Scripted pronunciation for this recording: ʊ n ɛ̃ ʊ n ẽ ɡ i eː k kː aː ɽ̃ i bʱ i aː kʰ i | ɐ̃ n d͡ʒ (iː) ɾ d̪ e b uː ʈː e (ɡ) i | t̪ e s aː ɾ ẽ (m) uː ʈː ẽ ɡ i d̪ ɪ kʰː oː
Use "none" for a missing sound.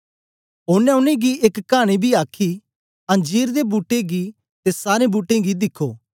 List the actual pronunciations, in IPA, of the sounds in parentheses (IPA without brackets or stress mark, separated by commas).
iː, ɡ, b